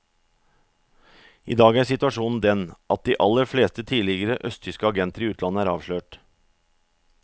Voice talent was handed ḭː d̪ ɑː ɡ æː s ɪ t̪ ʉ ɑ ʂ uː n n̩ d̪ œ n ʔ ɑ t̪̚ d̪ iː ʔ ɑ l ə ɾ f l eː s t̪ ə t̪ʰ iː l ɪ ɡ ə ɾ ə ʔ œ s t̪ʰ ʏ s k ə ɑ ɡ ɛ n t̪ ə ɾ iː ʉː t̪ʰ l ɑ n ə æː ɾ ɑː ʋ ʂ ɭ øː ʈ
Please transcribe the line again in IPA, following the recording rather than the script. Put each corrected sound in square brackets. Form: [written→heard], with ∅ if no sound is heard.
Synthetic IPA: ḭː d̪ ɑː ɡ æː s ɪ t̪ ʉ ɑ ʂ uː n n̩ d̪ [œ→ɛ] n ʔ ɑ t̪̚ d̪ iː ʔ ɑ l ə ɾ f l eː s t̪ ə t̪ʰ iː l ɪ ɡ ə ɾ ə ʔ œ s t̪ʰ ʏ s k ə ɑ ɡ ɛ n t̪ ə ɾ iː ʉː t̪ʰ l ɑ n ə æː ɾ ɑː ʋ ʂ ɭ øː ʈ